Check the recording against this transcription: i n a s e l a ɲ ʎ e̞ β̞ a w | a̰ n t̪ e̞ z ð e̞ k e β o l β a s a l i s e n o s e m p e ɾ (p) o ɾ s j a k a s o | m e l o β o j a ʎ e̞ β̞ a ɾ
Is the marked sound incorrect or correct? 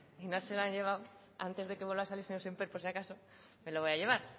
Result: correct